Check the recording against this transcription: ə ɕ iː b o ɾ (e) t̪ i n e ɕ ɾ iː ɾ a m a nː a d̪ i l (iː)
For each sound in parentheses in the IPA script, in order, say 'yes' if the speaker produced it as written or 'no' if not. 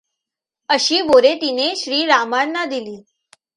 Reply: yes, yes

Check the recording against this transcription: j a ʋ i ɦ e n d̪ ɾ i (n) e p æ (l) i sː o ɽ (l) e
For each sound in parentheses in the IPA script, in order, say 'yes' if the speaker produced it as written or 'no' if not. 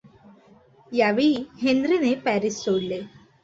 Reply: yes, no, yes

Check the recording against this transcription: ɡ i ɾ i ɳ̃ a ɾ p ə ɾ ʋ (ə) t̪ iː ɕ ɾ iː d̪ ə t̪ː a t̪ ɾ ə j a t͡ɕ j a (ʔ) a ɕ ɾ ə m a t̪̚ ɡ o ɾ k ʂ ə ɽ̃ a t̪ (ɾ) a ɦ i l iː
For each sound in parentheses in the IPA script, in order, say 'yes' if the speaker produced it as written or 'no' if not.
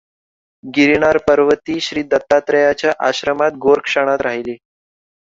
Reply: yes, yes, yes

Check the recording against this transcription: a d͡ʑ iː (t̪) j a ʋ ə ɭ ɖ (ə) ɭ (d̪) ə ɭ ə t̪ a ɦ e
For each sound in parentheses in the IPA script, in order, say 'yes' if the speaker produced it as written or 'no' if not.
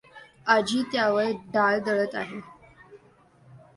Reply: yes, no, yes

